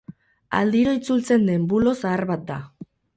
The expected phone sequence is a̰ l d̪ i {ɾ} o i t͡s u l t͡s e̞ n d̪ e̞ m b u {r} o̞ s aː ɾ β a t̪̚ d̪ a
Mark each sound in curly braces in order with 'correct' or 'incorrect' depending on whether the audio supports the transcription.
correct, incorrect

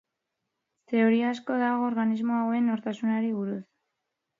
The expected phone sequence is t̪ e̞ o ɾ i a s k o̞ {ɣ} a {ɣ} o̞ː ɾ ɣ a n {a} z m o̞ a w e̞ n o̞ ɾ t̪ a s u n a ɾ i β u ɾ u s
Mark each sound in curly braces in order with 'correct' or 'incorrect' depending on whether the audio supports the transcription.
incorrect, correct, incorrect

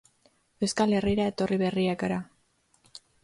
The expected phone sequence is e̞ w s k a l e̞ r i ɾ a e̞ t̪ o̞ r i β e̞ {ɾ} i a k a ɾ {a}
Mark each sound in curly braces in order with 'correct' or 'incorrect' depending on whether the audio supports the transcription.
incorrect, correct

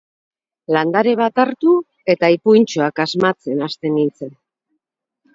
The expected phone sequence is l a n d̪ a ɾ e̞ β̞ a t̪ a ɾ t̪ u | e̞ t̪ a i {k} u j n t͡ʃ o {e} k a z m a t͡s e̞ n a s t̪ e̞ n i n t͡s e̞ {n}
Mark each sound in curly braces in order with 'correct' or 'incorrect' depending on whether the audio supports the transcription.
incorrect, incorrect, correct

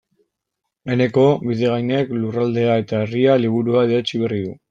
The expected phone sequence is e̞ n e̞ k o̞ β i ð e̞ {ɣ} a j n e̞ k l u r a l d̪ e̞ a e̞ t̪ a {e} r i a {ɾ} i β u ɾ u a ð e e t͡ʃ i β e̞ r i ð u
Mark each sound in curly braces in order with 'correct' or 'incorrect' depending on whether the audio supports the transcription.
correct, correct, incorrect

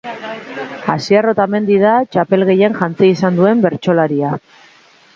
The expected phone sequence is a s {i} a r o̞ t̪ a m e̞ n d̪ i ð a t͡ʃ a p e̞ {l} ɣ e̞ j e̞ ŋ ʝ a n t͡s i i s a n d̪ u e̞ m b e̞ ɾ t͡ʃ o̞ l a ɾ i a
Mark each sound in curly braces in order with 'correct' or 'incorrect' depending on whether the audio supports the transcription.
correct, correct

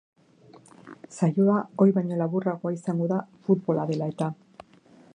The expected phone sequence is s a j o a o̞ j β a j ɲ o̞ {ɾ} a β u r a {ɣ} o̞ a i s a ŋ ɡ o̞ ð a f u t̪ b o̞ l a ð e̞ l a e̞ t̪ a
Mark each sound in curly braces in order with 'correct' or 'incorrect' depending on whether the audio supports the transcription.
incorrect, correct

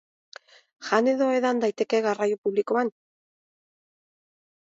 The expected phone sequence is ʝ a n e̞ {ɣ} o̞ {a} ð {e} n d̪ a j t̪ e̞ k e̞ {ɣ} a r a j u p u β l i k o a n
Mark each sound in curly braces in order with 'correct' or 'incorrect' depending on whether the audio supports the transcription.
incorrect, incorrect, incorrect, correct

